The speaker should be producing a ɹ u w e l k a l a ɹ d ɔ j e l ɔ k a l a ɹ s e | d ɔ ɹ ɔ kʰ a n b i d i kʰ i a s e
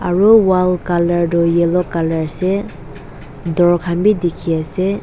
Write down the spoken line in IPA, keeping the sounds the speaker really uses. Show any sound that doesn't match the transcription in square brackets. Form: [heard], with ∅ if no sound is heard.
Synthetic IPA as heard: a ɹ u w [a] l k a l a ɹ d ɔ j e l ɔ k a l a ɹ s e | d ɔ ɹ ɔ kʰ a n b i d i kʰ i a s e